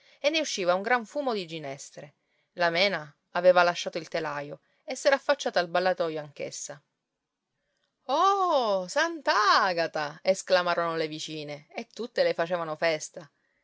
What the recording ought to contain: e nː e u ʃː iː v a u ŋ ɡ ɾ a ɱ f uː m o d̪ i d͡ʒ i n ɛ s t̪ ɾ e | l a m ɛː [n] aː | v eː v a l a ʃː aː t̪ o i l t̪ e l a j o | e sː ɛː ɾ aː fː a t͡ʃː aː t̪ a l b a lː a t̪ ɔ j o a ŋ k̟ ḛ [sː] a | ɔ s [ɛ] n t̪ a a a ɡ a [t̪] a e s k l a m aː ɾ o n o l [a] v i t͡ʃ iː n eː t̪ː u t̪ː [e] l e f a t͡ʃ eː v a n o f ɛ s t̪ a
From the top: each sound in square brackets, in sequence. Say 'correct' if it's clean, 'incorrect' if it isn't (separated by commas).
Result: correct, correct, incorrect, correct, incorrect, correct